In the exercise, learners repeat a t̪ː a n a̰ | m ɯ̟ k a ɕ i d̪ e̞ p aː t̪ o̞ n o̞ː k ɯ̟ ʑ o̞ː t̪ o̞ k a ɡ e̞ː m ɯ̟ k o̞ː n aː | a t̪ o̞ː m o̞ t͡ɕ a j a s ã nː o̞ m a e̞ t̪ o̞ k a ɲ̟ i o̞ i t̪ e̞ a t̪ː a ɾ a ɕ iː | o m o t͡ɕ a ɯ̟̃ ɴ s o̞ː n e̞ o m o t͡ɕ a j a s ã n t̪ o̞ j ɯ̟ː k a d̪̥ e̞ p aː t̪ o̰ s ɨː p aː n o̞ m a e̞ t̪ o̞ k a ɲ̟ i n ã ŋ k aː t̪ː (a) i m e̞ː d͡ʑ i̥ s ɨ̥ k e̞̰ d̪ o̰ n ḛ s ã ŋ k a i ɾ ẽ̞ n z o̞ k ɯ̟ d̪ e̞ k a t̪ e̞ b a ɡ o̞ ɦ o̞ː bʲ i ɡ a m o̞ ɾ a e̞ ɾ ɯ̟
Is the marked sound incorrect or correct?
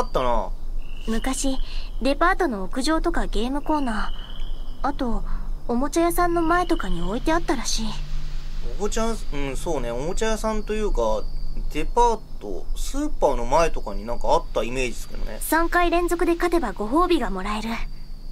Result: correct